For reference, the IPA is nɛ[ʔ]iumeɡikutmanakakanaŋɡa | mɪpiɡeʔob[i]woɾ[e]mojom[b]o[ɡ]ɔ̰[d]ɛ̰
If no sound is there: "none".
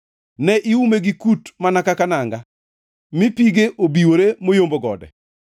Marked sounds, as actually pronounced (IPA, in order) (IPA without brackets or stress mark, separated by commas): ʔ, i, e, b, ɡ, d